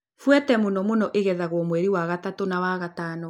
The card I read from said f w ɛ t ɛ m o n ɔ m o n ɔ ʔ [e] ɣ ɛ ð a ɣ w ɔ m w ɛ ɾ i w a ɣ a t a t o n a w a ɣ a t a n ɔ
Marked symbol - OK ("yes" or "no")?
yes